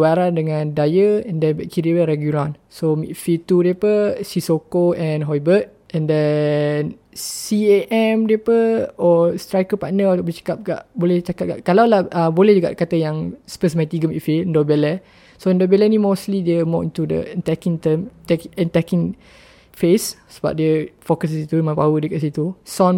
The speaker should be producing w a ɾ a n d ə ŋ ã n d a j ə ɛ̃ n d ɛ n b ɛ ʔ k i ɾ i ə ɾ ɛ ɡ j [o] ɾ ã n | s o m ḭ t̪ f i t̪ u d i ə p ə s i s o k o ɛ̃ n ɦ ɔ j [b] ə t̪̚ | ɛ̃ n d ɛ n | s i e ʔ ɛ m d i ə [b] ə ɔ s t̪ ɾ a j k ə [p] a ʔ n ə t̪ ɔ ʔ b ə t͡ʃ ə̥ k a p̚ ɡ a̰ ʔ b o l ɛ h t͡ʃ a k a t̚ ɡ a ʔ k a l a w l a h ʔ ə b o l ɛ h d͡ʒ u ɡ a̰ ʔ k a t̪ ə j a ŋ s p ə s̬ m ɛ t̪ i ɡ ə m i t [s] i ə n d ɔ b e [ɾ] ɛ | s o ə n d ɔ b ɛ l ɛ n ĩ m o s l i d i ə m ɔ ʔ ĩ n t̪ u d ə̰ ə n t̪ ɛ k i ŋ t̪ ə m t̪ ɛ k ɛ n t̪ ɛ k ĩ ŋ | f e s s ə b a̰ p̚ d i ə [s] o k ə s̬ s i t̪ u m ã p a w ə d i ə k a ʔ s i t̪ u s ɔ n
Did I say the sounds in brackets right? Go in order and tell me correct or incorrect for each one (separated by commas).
incorrect, correct, incorrect, correct, incorrect, incorrect, incorrect